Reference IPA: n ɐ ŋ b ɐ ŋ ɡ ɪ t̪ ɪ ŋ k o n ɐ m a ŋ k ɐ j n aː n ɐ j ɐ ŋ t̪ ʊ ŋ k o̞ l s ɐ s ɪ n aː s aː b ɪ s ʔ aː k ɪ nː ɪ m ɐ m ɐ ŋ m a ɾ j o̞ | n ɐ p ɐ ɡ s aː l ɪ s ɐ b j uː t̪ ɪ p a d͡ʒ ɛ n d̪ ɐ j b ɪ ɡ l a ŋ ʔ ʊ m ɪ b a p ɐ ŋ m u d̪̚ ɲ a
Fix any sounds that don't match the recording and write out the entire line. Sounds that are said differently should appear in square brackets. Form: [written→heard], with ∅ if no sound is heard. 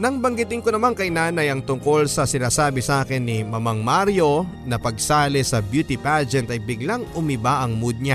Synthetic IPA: n ɐ ŋ b ɐ ŋ ɡ ɪ t̪ ɪ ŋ k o n ɐ m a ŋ k ɐ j n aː n ɐ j ɐ ŋ t̪ ʊ ŋ k o̞ l s ɐ s ɪ n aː s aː b ɪ s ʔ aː k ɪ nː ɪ m ɐ m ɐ ŋ m a ɾ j o̞ | n ɐ p ɐ ɡ s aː l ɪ s ɐ b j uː t̪ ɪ p a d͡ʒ ɛ n [d̪→t̪] ɐ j b ɪ ɡ l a ŋ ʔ ʊ m ɪ b a [p→ʔ] ɐ ŋ m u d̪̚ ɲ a